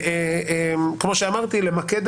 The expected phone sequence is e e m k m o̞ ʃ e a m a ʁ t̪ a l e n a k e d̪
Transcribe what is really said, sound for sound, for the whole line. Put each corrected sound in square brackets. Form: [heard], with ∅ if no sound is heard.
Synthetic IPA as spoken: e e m k m o̞ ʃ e a m a ʁ t̪ [i] l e [m] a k e d̪